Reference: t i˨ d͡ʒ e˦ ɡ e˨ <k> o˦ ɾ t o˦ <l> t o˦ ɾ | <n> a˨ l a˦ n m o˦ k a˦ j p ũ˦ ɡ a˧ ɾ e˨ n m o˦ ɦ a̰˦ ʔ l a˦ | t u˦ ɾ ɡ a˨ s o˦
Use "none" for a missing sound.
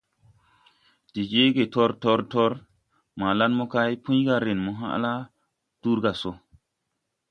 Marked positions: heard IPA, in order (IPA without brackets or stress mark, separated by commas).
t, ɾ, m